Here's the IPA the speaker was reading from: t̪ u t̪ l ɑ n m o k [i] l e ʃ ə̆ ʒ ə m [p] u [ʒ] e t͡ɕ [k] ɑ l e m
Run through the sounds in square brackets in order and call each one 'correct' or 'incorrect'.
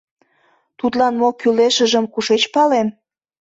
incorrect: y, incorrect: k, incorrect: ʃ, incorrect: p

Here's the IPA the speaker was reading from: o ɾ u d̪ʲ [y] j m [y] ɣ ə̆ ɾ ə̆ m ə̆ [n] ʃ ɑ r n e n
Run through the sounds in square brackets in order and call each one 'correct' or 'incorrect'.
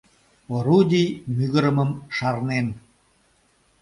incorrect: i, correct, incorrect: m

